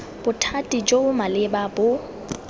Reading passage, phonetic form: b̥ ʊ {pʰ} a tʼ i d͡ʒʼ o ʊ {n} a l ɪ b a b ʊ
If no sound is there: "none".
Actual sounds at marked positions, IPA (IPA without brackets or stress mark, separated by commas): tʰ, m